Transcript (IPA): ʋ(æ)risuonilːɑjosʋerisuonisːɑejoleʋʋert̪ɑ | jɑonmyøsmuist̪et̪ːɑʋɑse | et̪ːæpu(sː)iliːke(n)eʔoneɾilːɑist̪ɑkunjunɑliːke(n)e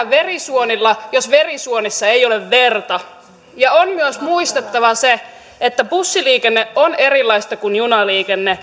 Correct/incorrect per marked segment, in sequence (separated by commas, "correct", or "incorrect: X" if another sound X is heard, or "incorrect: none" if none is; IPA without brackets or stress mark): incorrect: e, correct, incorrect: nː, incorrect: nː